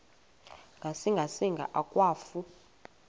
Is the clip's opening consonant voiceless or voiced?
voiced